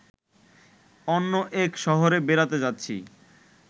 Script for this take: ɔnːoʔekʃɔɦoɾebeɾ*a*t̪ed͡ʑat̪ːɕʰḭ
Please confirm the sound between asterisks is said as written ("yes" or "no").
yes